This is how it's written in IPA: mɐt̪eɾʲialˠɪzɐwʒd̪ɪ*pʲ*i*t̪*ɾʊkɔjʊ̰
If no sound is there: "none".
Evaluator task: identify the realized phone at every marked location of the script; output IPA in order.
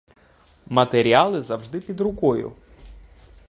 pʲ, d̪

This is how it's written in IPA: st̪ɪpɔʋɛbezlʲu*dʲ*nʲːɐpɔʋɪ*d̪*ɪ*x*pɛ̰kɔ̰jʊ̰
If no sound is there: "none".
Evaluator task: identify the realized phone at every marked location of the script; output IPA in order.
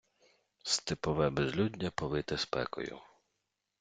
dʲ, t̪, s

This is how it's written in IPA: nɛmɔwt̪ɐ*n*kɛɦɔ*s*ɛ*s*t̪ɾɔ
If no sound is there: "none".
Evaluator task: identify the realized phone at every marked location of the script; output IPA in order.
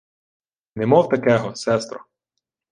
none, s, s

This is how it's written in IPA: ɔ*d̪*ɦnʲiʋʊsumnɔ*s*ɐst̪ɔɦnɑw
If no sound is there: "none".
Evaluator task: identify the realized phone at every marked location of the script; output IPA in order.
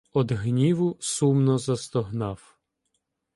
d̪, z

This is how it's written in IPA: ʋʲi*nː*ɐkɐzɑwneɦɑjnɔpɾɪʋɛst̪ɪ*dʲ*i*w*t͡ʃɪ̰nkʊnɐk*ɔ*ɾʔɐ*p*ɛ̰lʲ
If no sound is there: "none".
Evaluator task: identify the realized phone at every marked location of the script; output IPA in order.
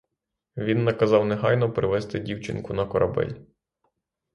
nː, dʲ, w, ɔ, b

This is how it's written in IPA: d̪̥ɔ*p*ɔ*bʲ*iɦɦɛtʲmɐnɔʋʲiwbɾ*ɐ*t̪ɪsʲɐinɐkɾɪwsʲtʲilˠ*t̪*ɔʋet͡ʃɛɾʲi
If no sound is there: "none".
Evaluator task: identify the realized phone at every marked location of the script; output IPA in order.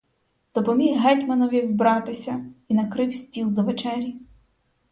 p, mʲ, ɑ, d̪

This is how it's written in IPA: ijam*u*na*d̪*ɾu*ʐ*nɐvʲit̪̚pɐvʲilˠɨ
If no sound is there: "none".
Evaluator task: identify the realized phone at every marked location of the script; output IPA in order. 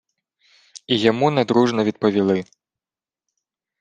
u, d̪, ʐ

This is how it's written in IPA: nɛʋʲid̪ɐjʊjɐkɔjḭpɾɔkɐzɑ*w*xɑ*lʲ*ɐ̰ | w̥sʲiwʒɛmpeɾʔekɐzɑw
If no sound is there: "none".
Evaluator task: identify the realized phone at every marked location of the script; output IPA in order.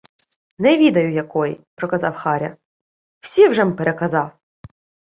w, ɾʲ

